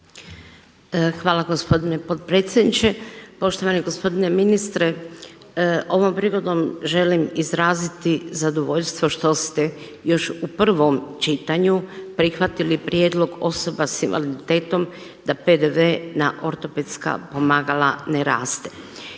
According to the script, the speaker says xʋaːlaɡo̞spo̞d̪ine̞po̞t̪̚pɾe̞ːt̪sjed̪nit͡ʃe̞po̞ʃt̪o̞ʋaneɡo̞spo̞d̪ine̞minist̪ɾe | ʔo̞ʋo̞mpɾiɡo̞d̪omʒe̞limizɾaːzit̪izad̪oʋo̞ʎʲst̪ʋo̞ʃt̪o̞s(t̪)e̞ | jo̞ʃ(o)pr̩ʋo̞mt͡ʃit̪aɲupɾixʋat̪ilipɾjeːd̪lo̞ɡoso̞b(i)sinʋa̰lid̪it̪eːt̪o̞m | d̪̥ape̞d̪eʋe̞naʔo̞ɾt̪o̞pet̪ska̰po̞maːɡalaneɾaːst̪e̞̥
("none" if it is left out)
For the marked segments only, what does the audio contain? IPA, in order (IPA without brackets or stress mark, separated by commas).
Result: t̪, u, a